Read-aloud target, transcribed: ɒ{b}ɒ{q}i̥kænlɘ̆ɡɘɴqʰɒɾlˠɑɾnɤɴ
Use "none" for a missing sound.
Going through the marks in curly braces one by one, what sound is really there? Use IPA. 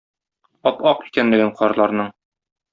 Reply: p, q

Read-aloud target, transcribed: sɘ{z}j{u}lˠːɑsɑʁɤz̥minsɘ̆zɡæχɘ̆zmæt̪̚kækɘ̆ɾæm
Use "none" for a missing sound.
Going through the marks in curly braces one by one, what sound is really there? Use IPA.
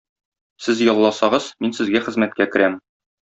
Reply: z, ɒ

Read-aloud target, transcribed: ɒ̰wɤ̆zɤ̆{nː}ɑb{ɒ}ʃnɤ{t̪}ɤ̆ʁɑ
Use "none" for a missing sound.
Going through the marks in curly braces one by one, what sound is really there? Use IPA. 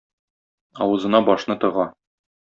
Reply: n, ɒ, t̪

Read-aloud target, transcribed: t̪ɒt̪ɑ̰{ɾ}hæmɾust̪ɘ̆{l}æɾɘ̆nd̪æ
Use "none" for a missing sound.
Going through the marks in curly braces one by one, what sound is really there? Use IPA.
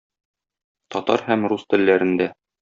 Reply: ɾ, lː

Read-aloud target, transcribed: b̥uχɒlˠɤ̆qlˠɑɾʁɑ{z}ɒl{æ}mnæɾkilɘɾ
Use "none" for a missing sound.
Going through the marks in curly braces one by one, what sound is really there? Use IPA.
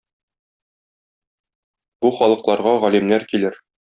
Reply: ʁ, i

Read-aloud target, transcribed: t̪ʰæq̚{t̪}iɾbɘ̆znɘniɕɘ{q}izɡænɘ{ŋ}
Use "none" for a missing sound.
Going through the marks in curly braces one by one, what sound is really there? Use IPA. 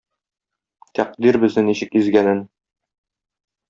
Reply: d̪, k, n

